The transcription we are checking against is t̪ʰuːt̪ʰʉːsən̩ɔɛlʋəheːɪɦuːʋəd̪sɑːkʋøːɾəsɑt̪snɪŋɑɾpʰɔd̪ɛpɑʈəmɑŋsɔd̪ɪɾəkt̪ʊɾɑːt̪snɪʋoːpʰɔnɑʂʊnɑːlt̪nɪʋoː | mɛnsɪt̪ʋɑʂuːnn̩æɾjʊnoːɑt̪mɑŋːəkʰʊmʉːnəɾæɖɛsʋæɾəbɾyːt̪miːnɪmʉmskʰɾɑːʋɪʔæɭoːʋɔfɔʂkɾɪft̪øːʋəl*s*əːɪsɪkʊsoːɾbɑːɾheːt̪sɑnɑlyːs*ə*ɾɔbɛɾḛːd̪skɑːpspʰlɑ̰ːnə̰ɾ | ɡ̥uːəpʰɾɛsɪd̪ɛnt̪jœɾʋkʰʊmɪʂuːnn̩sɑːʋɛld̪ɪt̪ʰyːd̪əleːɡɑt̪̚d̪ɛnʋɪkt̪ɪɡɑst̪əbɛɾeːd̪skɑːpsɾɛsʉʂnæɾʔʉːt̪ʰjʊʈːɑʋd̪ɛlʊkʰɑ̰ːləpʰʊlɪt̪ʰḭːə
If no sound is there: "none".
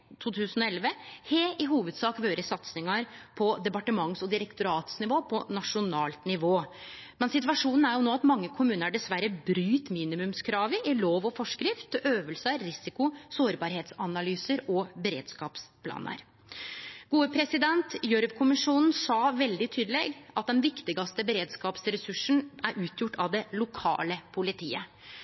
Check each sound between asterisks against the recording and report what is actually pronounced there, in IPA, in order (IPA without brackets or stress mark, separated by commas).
s, ə